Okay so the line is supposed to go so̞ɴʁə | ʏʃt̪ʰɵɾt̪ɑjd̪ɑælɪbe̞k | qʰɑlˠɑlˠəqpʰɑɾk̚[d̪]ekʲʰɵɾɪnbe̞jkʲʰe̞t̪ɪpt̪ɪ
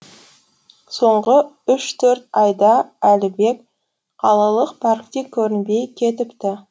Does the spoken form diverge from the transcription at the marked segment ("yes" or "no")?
yes